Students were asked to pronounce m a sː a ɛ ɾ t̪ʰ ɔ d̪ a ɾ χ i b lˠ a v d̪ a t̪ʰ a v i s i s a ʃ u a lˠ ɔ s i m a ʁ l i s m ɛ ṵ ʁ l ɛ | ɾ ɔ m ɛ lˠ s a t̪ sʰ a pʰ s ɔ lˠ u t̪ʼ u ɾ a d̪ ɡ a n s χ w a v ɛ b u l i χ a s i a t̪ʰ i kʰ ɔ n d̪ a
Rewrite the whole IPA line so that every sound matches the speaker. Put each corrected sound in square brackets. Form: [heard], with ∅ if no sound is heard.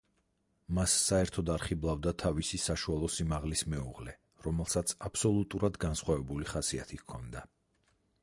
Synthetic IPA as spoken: m a sː a ɛ ɾ t̪ʰ ɔ d̪ a ɾ χ i b lˠ a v d̪ a t̪ʰ a v i s i s a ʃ u a lˠ ɔ s i m a ʁ l i s m ɛ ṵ ʁ l ɛ | ɾ ɔ m ɛ lˠ s a t̪ sʰ a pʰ s ɔ lˠ u t̪ʼ u ɾ a d̪ ɡ a n s χ w a v ɛ b u l i χ a s i a t̪ʰ i kʰ ɔ n d̪ a